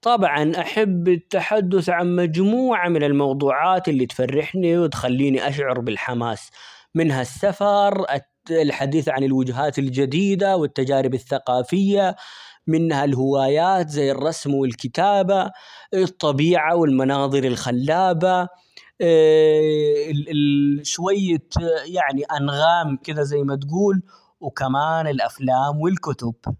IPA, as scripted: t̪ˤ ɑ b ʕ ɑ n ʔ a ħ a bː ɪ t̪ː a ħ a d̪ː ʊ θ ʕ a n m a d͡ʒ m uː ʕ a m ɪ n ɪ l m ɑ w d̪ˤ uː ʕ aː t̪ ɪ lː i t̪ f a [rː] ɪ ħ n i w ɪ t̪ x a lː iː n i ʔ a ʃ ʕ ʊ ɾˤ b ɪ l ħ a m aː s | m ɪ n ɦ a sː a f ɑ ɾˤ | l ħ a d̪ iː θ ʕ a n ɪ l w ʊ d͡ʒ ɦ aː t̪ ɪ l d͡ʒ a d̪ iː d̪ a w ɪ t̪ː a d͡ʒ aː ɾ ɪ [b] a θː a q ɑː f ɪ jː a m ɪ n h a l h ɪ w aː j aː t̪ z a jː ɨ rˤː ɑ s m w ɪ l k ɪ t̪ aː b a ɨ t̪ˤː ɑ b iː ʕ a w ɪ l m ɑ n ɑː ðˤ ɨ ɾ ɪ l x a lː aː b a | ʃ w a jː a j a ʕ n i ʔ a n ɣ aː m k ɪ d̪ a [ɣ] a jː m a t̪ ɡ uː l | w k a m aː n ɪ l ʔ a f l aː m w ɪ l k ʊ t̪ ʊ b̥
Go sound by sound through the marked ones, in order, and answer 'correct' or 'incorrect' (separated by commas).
correct, correct, incorrect